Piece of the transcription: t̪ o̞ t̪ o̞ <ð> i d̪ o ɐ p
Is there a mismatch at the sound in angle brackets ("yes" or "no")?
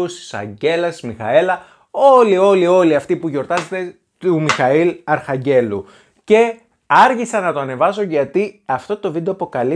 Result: yes